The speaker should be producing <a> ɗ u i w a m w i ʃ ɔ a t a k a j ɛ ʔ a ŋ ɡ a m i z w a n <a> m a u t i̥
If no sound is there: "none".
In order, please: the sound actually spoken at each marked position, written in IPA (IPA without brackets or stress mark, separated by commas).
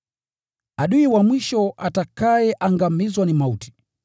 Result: a, i